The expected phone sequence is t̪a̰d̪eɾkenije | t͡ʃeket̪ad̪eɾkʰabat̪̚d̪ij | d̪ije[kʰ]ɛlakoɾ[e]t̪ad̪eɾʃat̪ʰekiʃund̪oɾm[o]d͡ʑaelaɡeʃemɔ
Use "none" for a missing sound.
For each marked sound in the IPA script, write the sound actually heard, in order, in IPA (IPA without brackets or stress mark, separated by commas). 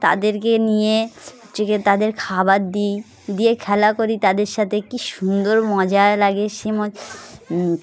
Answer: kʰ, i, ɔ